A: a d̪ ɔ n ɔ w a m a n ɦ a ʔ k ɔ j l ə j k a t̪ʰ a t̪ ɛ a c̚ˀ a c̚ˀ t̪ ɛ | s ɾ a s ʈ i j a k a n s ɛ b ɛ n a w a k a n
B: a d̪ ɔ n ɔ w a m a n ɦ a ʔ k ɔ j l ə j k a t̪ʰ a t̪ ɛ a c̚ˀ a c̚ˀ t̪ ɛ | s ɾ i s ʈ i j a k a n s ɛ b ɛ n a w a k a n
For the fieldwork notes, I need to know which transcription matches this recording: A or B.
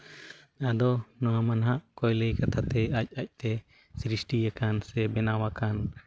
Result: B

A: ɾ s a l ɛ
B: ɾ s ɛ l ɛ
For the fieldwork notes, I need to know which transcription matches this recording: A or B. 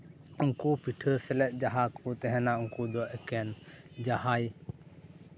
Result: B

